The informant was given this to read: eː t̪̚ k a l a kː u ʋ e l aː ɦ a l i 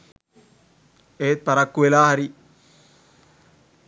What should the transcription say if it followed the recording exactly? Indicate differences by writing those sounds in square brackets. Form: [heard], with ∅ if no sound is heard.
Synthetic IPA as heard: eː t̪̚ [p] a [ɾ] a kː u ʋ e l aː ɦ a [ɾ] i

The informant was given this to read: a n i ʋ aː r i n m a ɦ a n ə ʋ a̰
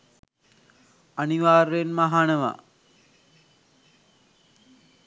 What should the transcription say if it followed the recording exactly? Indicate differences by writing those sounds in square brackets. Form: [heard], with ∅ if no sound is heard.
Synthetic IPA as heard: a n i ʋ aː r [e] n m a ɦ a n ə ʋ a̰

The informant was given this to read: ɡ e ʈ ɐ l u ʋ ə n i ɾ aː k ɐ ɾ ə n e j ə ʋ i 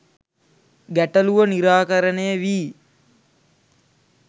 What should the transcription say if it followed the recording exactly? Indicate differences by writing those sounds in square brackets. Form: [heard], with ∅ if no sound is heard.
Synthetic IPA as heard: ɡ [æ] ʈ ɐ l u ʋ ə n i ɾ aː k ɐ ɾ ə n e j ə ʋ [iː]

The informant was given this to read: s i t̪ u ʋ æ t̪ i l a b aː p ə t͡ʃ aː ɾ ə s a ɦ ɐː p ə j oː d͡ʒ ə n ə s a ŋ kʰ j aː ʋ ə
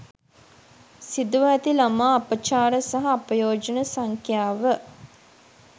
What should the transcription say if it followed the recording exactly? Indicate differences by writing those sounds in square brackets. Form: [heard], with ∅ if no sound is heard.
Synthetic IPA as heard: s i [d̪] u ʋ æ t̪ i l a [m] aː p ə t͡ʃ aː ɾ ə s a ɦ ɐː p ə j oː d͡ʒ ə n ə s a ŋ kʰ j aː ʋ ə

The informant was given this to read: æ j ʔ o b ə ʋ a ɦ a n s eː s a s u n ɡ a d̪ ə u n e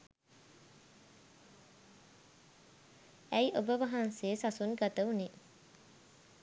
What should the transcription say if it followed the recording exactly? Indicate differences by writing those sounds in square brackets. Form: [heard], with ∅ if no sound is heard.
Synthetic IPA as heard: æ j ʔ o b ə ʋ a ɦ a n s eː s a s u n ɡ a [t̪] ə u n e

